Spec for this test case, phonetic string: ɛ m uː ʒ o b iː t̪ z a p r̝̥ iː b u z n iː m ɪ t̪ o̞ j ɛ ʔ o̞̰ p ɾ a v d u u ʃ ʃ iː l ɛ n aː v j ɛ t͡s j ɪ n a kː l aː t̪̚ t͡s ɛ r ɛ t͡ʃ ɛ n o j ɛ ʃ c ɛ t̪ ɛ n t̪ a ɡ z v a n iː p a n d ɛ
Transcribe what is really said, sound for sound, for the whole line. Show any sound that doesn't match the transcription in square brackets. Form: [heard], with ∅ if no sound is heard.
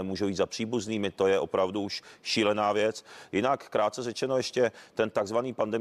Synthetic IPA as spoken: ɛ m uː ʒ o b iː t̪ z a p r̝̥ iː b u z n iː m ɪ t̪ o̞ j ɛ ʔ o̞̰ p ɾ a v d u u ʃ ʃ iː l ɛ n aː v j ɛ t͡s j ɪ n a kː [ɾ] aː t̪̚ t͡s ɛ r ɛ t͡ʃ ɛ n o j ɛ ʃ c ɛ t̪ ɛ n t̪ a ɡ z v a n iː p a n d ɛ